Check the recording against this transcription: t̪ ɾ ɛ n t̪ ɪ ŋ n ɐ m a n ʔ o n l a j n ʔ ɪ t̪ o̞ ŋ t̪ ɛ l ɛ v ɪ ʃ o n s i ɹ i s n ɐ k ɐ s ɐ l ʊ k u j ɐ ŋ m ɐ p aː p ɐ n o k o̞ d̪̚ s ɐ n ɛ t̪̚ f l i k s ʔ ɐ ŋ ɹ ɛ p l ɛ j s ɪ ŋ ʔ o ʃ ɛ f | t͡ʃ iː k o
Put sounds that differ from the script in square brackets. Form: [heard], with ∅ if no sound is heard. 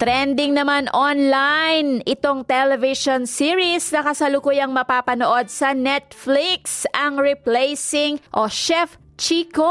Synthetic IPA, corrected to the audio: t̪ ɾ ɛ n [d̪] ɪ ŋ n ɐ m a n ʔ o n l a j n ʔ ɪ t̪ o̞ ŋ t̪ ɛ l ɛ v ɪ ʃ o n s i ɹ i s n ɐ k ɐ s ɐ l ʊ k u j ɐ ŋ m ɐ p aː p ɐ n o [ʔ] o̞ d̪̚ s ɐ n ɛ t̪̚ f l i k s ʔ ɐ ŋ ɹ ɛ p l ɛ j s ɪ ŋ ʔ o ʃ ɛ f | t͡ʃ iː k o